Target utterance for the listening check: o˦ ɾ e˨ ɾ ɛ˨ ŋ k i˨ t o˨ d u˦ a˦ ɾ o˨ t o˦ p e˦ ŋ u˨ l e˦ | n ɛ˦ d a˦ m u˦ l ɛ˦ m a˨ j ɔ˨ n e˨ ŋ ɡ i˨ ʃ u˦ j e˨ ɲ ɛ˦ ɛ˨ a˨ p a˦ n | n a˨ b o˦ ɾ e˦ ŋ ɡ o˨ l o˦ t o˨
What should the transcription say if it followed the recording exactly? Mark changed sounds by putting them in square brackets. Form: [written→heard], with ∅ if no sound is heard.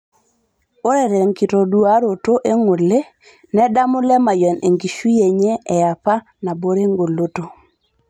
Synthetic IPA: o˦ ɾ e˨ ɾ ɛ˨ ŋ k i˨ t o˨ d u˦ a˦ ɾ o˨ t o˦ [p→ʔ] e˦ ŋ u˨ l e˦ | n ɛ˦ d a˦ m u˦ l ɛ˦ m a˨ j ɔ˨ n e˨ ŋ ɡ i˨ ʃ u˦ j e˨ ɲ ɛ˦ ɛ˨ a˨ p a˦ [n→∅] | n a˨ b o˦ ɾ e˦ ŋ ɡ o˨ l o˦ t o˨